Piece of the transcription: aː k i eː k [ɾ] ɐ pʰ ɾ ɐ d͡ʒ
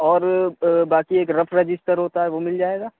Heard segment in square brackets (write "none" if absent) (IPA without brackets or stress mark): ɾ